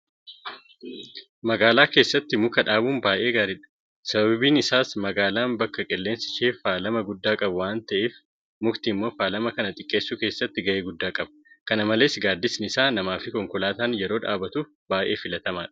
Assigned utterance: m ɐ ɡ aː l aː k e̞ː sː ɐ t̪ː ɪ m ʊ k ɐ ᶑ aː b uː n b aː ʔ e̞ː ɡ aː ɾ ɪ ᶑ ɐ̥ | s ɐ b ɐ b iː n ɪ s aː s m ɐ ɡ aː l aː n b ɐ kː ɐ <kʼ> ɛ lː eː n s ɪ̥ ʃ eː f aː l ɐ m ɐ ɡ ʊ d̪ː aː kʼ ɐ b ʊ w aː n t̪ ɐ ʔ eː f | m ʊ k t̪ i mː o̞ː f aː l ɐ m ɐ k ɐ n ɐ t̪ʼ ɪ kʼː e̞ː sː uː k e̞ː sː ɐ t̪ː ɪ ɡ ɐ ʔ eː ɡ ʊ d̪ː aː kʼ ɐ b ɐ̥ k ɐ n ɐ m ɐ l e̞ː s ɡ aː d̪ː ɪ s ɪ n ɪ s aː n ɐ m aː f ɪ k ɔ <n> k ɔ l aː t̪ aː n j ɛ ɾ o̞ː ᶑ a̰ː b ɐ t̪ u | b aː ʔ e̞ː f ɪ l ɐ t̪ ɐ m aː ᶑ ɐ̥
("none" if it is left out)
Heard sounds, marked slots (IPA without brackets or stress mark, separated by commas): kʼ, ŋ